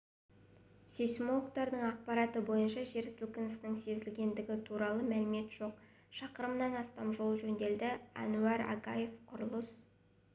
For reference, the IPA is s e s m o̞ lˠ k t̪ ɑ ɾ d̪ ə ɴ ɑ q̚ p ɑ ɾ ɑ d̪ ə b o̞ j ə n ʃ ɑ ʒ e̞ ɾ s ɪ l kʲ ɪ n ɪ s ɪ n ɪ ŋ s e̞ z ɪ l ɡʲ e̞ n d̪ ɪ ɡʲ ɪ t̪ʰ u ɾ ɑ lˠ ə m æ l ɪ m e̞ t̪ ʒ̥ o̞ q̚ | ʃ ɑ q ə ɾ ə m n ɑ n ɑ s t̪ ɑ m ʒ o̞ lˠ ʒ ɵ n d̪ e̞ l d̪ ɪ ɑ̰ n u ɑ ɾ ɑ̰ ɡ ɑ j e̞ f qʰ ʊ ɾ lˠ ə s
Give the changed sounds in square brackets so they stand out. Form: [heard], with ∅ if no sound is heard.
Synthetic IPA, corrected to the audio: s e s m o̞ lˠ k t̪ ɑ ɾ d̪ ə ɴ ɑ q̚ p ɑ ɾ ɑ [t̪] ə b o̞ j ə n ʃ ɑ ʒ e̞ ɾ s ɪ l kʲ ɪ n ɪ s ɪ n ɪ ŋ s e̞ z ɪ l ɡʲ e̞ n d̪ ɪ ɡʲ ɪ t̪ʰ u ɾ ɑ lˠ ə m æ l ɪ m e̞ t̪ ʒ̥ o̞ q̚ | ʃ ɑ q ə ɾ ə m n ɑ n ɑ s t̪ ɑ m ʒ o̞ lˠ ʒ ɵ n d̪ e̞ l d̪ ɪ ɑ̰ n u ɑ ɾ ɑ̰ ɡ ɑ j e̞ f qʰ ʊ ɾ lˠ ə s

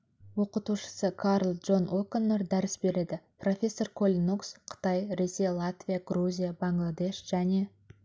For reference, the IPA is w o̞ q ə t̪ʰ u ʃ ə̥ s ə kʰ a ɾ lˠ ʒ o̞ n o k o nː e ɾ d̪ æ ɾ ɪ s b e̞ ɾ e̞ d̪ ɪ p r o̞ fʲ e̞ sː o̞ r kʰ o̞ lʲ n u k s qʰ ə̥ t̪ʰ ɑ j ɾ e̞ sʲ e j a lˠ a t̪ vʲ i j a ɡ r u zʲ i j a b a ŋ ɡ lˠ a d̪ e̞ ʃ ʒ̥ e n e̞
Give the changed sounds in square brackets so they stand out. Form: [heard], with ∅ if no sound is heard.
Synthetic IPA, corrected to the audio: w o̞ q ə [t̪] u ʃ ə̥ s ə kʰ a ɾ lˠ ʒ o̞ n o k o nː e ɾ d̪ æ ɾ ɪ s b e̞ ɾ e̞ d̪ ɪ p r o̞ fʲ e̞ sː o̞ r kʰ o̞ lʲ n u k s qʰ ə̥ [t̪] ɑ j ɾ e̞ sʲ e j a lˠ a t̪ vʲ i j a ɡ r u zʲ i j a b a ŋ ɡ lˠ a d̪ e̞ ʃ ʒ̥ [æ] n e̞

